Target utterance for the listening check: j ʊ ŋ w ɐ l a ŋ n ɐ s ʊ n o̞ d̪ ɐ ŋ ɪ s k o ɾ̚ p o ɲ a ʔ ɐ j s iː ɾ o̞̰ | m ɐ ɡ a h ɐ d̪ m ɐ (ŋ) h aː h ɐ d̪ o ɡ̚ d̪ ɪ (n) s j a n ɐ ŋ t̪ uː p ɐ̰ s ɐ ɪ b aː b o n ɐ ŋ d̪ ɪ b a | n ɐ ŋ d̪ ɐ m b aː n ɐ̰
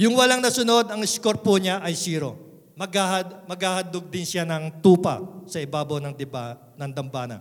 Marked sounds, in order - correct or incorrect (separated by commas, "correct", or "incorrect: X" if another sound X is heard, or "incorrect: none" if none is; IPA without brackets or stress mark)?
incorrect: ɡ, correct